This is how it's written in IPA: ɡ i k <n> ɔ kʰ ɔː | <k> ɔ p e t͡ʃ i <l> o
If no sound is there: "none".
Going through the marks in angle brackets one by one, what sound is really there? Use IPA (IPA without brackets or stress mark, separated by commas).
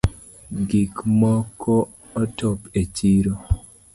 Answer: m, t, ɾ